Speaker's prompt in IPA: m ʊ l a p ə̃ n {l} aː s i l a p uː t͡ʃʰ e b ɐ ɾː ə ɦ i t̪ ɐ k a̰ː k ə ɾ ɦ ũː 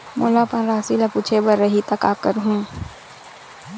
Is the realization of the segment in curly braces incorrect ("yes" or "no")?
yes